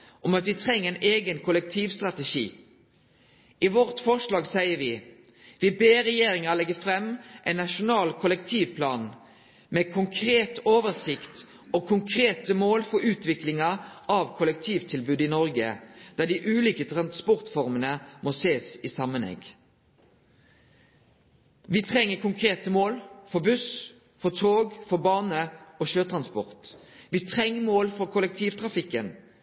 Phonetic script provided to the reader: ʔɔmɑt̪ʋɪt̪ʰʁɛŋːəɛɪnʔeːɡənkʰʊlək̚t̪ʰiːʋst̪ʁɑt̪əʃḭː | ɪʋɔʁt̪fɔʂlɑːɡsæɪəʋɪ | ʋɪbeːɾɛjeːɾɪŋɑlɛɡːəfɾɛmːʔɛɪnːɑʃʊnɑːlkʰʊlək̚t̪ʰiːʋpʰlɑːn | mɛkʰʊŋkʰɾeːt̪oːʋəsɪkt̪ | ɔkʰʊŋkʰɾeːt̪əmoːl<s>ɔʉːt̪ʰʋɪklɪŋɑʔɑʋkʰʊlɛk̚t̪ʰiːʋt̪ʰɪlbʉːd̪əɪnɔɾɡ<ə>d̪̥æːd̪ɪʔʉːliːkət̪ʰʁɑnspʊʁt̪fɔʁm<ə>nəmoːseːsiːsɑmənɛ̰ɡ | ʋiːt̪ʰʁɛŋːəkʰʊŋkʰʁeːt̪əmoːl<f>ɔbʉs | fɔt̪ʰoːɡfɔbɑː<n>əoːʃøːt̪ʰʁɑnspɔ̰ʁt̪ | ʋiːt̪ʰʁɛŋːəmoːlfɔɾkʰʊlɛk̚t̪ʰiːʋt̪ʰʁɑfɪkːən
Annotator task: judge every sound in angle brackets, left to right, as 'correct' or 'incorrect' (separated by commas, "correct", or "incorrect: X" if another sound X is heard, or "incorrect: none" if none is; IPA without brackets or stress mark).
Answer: incorrect: f, correct, correct, correct, correct